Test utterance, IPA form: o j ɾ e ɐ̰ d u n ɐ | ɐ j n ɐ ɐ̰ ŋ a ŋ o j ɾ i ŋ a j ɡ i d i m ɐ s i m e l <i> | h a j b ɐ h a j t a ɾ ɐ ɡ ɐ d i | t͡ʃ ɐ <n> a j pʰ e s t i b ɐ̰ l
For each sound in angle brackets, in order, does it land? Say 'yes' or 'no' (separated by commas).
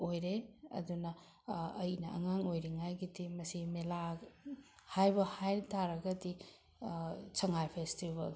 no, no